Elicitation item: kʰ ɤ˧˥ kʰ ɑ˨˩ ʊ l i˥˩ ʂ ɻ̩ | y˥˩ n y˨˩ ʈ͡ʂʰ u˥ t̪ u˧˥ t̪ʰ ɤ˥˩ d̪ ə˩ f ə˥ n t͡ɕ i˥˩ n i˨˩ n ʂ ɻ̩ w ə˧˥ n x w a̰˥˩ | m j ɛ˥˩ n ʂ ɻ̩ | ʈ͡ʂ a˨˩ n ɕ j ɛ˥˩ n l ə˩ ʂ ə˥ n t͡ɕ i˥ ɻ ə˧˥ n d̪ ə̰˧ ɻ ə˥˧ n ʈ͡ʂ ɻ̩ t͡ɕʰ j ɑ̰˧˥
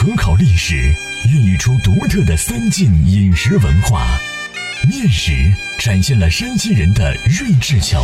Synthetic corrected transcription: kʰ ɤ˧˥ kʰ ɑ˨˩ ʊ l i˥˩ ʂ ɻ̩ | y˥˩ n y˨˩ ʈ͡ʂʰ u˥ t̪ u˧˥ t̪ʰ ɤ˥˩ d̪ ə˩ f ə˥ n t͡ɕ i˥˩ n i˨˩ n ʂ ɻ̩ w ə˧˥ n x w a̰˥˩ | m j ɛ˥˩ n ʂ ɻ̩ | ʈ͡ʂ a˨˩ n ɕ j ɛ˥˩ n l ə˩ ʂ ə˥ n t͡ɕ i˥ ɻ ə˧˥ n d̪ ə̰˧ ɻ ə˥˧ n ʈ͡ʂ ɻ̩ t͡ɕʰ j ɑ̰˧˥